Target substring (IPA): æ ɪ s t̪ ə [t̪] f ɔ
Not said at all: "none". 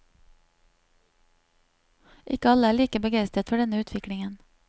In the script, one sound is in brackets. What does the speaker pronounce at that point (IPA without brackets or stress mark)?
t̪